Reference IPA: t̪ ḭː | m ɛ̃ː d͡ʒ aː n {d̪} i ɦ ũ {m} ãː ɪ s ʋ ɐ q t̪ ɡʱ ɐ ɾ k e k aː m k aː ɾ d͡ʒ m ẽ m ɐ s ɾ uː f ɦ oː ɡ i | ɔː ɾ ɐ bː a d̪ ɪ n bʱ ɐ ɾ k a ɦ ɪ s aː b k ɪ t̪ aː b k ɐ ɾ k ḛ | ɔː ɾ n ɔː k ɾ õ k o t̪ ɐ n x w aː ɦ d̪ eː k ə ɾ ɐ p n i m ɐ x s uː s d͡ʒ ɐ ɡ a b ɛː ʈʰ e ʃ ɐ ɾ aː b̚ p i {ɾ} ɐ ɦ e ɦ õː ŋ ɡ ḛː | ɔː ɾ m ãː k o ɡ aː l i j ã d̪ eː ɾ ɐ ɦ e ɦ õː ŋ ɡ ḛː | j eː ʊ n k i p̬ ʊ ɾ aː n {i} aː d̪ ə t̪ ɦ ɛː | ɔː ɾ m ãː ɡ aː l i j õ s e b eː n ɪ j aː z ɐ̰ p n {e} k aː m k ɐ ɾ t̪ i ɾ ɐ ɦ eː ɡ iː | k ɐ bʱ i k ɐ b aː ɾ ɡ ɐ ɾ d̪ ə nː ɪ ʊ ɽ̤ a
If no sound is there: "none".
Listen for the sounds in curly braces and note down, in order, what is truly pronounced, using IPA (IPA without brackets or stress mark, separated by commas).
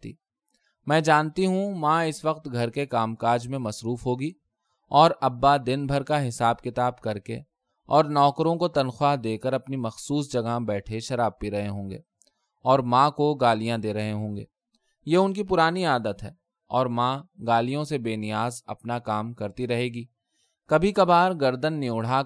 t̪, m, ɾ, i, a